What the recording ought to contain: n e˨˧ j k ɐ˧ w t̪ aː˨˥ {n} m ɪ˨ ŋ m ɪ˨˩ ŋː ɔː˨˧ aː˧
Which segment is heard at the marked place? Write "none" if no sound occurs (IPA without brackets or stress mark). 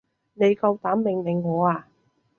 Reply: m